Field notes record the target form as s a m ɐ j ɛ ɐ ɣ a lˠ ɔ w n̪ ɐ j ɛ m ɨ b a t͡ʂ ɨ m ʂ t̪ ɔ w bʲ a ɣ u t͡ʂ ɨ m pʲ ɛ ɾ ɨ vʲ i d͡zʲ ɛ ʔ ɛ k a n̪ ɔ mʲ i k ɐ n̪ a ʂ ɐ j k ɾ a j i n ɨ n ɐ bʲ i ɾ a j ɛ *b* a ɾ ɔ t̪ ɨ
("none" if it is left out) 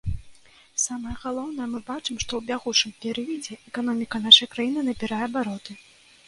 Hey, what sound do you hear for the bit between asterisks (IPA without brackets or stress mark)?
b